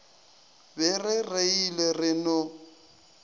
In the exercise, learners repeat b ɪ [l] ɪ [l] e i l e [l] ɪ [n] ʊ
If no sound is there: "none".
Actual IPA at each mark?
r, r, r, n

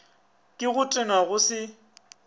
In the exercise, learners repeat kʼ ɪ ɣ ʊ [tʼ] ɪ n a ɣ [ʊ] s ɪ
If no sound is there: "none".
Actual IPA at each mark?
tʼ, ʊ

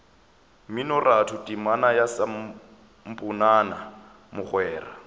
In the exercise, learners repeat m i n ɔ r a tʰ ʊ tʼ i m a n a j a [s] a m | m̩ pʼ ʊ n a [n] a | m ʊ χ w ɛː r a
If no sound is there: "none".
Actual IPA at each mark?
s, n

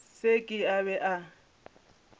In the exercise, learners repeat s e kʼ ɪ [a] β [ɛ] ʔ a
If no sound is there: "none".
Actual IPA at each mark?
a, ɛ

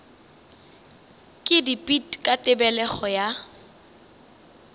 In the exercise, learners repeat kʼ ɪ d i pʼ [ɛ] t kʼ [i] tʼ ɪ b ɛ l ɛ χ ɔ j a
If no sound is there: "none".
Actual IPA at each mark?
i, a

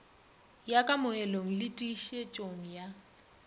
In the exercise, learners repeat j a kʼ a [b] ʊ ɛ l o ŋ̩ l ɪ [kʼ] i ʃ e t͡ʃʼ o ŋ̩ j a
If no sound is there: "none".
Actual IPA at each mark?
m, tʼ

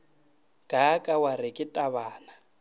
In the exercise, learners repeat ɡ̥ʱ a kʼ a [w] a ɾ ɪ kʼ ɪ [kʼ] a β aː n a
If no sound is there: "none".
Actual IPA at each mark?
w, tʼ

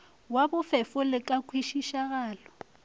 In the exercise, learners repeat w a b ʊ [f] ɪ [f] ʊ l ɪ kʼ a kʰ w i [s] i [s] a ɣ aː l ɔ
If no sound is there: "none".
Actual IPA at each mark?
f, f, ʃ, ʃ

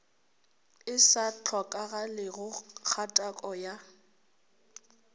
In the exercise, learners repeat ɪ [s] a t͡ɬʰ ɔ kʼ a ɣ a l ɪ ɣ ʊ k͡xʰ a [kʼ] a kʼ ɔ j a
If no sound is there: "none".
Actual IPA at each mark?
s, tʼ

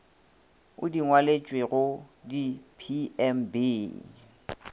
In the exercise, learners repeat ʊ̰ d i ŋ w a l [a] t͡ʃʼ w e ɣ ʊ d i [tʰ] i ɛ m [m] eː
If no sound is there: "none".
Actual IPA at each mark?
e, pʰ, b

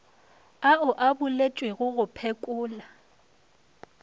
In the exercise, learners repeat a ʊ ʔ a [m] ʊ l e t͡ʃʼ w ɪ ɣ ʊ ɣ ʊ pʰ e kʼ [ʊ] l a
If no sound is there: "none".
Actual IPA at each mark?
b, ʊː

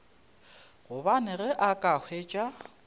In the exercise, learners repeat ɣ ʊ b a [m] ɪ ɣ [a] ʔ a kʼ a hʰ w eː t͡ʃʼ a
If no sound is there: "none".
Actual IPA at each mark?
n, ɛ

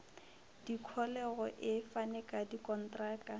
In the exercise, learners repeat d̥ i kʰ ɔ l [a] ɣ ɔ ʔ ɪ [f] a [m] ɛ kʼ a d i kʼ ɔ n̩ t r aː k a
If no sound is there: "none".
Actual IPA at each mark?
ɛ, f, n

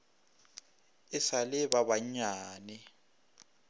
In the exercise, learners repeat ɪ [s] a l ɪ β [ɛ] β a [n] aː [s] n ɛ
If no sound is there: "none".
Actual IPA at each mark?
s, a, ɲ, none

